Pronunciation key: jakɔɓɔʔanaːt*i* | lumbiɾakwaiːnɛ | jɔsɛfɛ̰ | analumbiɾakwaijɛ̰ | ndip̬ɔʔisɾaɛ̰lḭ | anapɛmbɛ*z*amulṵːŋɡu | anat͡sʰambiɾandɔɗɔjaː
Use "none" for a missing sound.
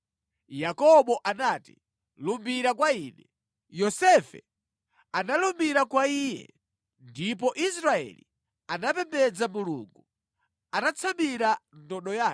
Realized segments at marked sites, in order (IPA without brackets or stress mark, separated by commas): i, d͡z